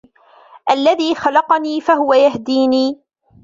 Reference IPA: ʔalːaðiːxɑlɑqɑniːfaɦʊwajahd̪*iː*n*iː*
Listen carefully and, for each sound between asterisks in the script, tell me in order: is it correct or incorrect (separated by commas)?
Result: correct, correct